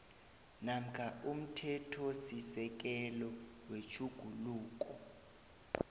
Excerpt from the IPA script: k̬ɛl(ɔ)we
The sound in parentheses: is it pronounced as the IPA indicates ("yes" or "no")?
yes